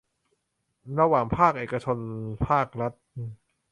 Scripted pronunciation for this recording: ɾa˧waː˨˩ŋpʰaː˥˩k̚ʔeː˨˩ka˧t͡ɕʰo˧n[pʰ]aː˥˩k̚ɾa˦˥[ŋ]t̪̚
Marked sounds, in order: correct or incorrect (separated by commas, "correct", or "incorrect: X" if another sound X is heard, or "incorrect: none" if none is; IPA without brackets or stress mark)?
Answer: correct, incorrect: none